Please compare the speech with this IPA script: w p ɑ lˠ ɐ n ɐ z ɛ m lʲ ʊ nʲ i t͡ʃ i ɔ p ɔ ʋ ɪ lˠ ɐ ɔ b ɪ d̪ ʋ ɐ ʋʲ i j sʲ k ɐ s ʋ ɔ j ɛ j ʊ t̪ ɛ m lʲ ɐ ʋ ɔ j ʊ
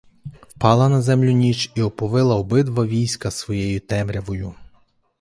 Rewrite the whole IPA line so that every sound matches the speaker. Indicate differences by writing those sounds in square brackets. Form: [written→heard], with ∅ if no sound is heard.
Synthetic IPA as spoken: w p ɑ lˠ ɐ n ɐ z ɛ m lʲ ʊ nʲ i t͡ʃ i ɔ p ɔ ʋ ɪ lˠ ɐ ɔ b ɪ d̪ ʋ ɐ ʋʲ i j sʲ k ɐ s ʋ ɔ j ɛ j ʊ t̪ ɛ m [lʲ→ɾʲ] ɐ ʋ ɔ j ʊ